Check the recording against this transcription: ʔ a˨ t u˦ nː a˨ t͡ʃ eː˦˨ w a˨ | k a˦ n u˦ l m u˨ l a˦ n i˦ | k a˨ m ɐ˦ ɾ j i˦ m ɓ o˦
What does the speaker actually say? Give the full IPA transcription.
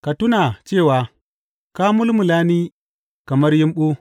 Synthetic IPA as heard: k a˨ t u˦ n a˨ t͡ʃ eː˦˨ w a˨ | k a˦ m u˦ l m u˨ l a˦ n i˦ | k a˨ m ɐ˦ ɾ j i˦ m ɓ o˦